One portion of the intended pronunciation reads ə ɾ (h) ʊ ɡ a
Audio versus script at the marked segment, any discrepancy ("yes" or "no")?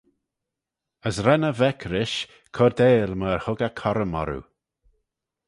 no